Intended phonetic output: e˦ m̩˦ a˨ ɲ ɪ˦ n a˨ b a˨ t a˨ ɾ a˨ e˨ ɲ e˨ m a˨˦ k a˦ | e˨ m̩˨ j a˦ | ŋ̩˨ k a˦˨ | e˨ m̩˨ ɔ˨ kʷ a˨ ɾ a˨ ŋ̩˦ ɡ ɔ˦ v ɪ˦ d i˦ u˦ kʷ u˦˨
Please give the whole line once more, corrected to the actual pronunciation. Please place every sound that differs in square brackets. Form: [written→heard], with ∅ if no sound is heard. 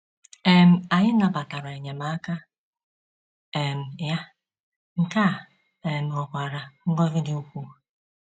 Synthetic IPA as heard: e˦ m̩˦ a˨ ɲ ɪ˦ n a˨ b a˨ t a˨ ɾ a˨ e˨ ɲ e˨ m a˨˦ k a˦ | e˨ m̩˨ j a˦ | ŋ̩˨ k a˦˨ | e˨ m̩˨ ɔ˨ kʷ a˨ ɾ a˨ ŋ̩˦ ɡ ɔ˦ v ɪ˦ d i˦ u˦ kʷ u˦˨